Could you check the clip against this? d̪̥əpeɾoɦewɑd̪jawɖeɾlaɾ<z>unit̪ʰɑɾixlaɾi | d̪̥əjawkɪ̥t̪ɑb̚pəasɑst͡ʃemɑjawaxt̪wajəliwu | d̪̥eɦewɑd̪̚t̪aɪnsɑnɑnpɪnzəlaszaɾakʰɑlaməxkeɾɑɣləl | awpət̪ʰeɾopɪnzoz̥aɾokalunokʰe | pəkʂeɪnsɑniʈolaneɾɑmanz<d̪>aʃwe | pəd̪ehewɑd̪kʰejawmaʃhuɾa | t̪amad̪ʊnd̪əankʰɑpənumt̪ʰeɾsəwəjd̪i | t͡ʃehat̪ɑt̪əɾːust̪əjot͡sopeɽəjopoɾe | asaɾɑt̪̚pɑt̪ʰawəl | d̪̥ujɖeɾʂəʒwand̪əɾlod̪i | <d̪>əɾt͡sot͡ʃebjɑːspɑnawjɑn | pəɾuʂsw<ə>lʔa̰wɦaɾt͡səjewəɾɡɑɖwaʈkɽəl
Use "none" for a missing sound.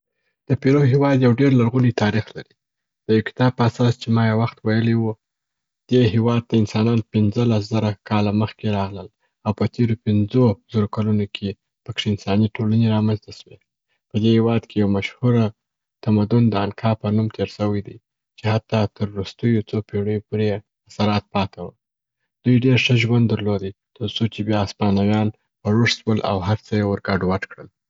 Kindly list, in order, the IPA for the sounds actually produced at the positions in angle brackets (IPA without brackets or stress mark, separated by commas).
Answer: ɣ, t̪, t̪, ə